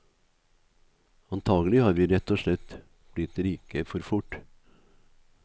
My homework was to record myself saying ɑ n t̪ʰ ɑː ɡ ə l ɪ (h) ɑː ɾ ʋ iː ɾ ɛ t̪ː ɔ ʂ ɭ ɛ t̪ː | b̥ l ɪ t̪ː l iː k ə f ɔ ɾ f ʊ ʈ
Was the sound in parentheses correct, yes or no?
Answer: yes